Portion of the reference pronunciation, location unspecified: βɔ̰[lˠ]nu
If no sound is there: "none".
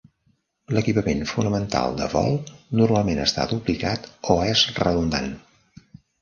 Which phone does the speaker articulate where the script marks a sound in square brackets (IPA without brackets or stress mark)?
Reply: lˠ